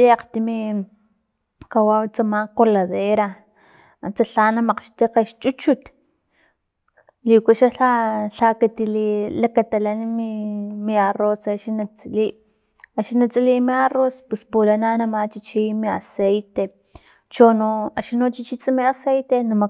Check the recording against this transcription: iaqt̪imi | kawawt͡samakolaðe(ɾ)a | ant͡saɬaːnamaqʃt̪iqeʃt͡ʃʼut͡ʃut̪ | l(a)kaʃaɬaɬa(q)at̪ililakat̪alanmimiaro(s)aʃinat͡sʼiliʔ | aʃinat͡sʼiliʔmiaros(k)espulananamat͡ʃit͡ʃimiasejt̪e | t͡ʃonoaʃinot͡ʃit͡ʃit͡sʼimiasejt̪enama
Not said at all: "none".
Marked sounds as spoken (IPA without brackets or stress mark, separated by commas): ɾ, i, k, s, p